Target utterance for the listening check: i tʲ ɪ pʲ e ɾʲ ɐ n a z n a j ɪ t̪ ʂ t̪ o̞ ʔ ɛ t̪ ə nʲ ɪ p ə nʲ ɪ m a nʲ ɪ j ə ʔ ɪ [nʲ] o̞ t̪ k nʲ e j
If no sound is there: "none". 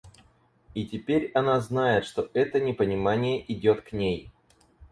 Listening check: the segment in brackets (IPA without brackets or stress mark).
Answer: dʲ